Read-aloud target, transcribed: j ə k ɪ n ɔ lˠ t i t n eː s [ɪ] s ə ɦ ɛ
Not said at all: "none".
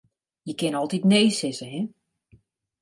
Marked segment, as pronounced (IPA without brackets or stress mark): ɪ